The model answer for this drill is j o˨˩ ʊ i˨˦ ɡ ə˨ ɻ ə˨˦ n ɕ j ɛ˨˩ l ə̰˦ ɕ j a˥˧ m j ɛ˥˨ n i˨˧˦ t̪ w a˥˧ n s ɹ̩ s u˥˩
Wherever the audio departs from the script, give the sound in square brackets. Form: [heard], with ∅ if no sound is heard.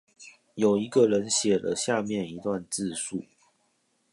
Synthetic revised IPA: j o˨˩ ʊ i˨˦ ɡ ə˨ ɻ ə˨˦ n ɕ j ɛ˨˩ l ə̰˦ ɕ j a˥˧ m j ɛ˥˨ n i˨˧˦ t̪ w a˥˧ n [t͡s] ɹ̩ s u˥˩